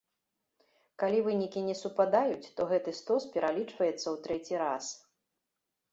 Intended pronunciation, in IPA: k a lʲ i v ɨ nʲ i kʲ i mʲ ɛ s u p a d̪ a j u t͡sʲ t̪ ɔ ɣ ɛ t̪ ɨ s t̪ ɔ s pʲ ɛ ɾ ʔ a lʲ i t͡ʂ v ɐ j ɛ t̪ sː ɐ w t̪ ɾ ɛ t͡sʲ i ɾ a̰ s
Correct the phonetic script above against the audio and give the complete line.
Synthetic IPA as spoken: k a lʲ i v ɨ nʲ i kʲ i nʲ ɛ s u p a d̪ a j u t͡sʲ t̪ ɔ ɣ ɛ t̪ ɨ s t̪ ɔ s pʲ ɛ ɾ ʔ a lʲ i t͡ʂ v ɐ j ɛ t̪ sː ɐ w t̪ ɾ ɛ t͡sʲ i ɾ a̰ s